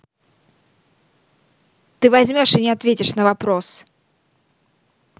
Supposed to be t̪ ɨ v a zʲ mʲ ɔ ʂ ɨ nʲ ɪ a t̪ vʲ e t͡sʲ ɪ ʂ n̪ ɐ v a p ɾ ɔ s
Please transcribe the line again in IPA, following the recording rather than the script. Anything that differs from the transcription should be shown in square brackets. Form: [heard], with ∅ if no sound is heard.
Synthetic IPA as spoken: t̪ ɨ v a zʲ mʲ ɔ ʂ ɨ nʲ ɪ a t̪ vʲ e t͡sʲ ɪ ʂ n̪ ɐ v a p ɾ ɔ s